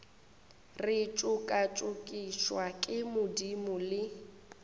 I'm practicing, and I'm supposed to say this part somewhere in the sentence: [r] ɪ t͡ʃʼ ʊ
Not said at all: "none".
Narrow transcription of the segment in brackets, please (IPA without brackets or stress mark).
r